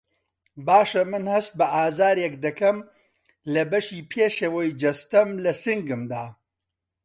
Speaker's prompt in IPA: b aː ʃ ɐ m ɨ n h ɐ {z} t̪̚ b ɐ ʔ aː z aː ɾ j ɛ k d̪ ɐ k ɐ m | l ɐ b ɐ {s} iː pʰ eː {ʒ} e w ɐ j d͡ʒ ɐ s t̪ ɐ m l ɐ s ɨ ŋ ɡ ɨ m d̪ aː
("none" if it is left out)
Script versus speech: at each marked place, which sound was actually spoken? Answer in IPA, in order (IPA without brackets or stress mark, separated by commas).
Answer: s, ʃ, ʃ